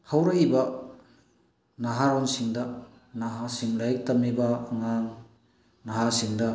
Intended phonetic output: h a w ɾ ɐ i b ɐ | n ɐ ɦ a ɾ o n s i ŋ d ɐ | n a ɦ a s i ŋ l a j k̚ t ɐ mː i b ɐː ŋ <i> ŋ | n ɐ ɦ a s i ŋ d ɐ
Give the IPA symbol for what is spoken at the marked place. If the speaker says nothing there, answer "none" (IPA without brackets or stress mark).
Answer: a